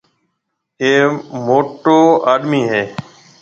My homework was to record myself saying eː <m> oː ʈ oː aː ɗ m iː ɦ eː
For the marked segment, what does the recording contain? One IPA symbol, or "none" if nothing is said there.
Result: m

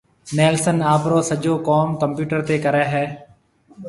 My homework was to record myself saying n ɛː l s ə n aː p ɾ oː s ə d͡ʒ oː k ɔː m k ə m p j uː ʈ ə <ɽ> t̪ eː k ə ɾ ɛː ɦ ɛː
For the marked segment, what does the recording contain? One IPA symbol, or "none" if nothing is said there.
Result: ɾ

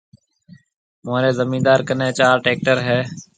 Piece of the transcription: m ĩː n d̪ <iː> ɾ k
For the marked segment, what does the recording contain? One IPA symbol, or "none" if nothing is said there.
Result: aː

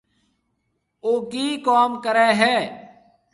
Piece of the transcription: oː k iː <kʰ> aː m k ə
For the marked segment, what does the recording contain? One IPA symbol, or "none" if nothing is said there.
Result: k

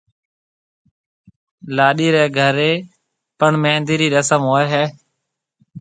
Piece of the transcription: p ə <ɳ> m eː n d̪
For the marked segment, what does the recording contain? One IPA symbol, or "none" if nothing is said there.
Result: ɳ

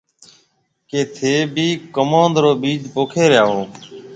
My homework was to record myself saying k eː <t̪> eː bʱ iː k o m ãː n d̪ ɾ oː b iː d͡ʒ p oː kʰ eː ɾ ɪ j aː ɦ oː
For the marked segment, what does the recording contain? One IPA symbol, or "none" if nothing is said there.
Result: t̪ʰ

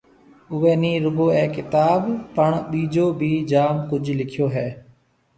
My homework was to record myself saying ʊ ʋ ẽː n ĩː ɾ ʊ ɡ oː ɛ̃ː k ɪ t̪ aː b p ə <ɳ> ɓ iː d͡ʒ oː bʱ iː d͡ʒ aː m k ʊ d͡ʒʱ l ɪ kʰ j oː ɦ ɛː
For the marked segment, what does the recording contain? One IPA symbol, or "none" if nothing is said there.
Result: ɳ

